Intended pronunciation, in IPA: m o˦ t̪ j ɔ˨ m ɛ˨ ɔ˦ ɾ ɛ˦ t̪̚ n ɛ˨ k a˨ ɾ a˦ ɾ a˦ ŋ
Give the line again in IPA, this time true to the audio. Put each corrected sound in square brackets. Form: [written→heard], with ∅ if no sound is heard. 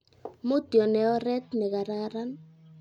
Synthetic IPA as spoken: m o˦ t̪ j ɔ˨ [m→n] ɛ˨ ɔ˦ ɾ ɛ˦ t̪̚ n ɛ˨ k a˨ ɾ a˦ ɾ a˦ [ŋ→n]